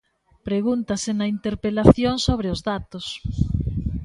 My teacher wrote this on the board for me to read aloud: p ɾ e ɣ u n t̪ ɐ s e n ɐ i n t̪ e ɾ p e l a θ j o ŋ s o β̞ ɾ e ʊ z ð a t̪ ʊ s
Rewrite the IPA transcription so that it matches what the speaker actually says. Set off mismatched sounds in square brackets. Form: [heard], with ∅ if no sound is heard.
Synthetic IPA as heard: p ɾ e ɣ u n t̪ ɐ s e n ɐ i n t̪ e ɾ p e l a θ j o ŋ s o β̞ ɾ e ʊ z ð a t̪ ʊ s